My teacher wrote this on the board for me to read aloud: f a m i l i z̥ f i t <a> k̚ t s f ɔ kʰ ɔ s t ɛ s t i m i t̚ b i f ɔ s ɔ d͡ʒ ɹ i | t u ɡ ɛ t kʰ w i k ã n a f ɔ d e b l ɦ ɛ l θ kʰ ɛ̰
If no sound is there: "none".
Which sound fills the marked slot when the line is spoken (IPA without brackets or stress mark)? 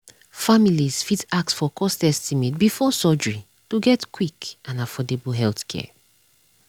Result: a